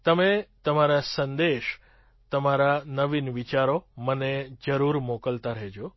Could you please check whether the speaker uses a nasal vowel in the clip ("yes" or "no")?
no